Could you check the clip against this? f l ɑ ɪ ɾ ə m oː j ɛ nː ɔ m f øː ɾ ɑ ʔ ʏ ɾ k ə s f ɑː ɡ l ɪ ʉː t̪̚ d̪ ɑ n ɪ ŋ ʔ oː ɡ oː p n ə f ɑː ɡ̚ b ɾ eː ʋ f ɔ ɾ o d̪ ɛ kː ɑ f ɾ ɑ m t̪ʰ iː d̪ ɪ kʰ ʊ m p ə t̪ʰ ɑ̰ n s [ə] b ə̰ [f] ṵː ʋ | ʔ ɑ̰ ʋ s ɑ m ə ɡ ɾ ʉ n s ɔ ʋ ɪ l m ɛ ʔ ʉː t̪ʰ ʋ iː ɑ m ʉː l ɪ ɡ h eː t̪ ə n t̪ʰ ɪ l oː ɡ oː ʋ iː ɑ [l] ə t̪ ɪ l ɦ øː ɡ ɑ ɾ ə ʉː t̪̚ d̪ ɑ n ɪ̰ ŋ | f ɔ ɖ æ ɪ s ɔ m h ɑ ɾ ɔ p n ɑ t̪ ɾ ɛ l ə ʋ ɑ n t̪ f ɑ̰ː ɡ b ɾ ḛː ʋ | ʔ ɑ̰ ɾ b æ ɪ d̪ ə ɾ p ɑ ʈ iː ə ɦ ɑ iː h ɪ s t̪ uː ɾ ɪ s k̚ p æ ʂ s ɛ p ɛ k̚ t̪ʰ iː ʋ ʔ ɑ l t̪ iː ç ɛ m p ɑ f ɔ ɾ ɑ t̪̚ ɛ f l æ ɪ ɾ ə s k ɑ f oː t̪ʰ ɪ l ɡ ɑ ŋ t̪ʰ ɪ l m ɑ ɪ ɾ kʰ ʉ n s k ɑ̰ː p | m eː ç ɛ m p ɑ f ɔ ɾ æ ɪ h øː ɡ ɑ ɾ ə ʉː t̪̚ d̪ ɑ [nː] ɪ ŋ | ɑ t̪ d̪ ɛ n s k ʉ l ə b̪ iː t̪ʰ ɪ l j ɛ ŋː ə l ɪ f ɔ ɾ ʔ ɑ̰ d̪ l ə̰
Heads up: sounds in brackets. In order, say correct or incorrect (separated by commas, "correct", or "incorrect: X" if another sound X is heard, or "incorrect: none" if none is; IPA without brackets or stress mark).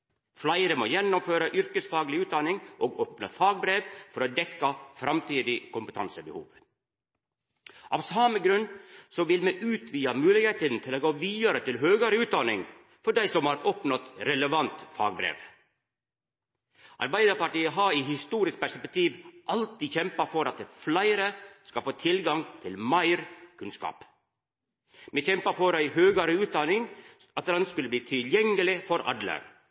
correct, incorrect: h, incorrect: ɾ, incorrect: n